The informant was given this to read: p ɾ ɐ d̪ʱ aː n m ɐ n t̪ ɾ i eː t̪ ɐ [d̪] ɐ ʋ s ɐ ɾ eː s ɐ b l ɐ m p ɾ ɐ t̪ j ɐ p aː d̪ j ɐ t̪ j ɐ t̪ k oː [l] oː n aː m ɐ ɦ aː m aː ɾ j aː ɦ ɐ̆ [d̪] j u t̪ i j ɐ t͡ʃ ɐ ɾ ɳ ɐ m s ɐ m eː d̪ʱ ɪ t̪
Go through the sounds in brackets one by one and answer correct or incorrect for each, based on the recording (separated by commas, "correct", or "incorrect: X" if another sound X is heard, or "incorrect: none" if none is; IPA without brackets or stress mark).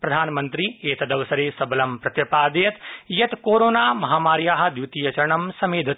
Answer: correct, incorrect: ɾ, correct